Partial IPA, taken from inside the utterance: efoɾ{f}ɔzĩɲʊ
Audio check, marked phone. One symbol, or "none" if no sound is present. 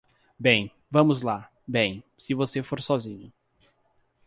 s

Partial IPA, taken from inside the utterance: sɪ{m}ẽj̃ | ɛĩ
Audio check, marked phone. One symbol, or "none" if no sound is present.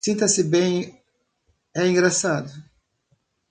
b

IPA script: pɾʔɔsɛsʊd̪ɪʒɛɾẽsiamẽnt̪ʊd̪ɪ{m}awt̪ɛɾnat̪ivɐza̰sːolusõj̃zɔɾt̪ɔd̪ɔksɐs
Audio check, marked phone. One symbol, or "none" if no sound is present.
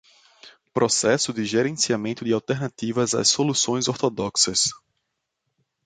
none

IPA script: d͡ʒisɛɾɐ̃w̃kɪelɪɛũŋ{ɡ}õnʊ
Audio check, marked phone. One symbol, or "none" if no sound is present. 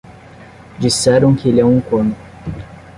k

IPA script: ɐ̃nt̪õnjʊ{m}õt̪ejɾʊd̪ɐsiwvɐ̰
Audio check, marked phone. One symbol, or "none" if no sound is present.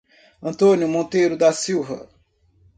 m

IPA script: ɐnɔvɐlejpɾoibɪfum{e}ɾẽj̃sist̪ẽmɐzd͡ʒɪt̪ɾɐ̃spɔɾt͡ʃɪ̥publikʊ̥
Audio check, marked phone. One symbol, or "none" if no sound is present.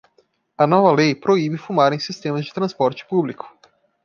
a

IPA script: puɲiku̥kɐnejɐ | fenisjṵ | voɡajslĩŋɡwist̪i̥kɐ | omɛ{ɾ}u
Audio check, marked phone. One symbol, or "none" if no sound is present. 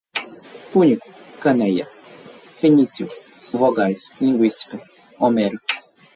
ɾ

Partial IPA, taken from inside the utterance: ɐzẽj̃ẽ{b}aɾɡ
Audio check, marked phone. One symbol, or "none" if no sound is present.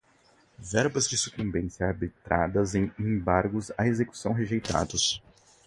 b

